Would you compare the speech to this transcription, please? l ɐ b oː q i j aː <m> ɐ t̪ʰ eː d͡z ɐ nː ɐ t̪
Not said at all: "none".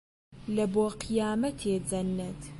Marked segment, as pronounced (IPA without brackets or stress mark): m